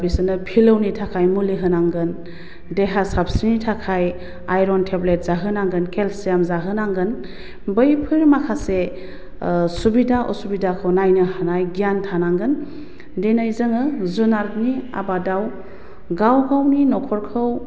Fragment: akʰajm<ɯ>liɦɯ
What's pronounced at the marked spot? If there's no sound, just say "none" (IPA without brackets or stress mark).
u